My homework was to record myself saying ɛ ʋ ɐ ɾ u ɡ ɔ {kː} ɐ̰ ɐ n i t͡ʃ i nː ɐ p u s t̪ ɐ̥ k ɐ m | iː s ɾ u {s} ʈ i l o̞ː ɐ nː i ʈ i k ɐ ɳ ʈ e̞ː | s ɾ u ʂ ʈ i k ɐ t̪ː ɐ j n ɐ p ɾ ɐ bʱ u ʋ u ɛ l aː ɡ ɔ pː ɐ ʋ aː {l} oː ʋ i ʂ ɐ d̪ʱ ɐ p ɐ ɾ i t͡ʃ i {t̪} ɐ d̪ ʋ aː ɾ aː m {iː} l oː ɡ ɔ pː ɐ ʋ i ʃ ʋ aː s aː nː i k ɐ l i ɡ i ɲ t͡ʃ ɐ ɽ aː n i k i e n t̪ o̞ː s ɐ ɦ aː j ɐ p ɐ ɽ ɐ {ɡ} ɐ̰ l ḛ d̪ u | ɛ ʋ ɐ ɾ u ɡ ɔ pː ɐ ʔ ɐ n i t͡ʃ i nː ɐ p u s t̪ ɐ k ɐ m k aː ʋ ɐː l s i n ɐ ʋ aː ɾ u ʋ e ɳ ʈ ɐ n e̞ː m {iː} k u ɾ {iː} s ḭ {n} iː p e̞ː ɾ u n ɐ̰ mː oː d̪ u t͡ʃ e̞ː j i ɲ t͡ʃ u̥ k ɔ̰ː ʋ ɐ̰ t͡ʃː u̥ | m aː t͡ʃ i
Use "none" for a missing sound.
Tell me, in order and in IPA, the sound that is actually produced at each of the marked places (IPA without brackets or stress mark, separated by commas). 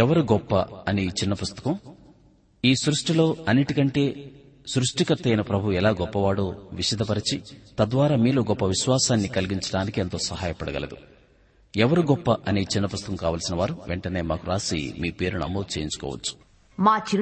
pː, ʂ, ɽ, t̪, iː, ɡ, aː, aː, m